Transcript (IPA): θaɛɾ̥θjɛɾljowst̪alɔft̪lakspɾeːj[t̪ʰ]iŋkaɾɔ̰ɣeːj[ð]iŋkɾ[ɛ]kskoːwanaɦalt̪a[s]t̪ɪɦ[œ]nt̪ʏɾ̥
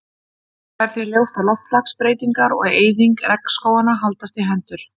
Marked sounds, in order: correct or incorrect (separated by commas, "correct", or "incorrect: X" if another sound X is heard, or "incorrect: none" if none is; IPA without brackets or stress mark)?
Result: incorrect: t̪, correct, correct, correct, incorrect: ɛ